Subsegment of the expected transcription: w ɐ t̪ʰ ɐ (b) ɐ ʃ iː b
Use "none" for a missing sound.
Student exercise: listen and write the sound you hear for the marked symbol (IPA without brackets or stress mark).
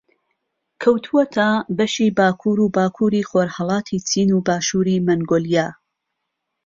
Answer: b